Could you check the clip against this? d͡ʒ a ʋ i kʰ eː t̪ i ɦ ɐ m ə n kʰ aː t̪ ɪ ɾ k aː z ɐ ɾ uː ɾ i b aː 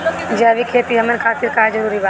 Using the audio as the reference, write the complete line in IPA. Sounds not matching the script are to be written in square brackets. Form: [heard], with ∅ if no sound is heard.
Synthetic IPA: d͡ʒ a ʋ i kʰ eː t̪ i ɦ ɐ m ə n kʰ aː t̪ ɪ ɾ k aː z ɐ ɾ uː ɾ i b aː